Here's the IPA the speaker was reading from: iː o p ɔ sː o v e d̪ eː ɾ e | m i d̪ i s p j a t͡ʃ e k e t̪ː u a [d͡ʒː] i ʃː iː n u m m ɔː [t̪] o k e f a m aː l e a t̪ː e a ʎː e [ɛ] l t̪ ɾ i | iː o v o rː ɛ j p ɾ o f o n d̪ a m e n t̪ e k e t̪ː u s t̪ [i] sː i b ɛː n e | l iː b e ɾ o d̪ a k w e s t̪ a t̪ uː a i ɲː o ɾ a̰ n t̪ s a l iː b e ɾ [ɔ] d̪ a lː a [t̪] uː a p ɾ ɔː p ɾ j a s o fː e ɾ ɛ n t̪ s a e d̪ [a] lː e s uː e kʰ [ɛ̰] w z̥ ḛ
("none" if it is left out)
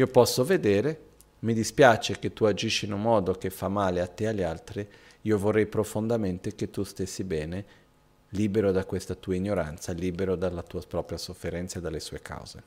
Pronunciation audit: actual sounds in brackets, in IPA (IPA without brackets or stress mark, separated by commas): d͡ʒ, d̪, a, e, o, t̪, a, a̰